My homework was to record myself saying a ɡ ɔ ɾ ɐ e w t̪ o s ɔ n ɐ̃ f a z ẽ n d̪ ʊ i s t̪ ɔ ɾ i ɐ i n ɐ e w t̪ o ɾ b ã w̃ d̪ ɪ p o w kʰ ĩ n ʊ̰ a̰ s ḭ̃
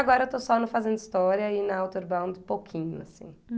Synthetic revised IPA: a ɡ ɔ ɾ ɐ e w t̪ o s ɔ n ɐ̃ f a z ẽ n d̪ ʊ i s t̪ ɔ ɾ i ɐ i n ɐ a w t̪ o ɾ b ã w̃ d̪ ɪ p o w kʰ ĩ ɲ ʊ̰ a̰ s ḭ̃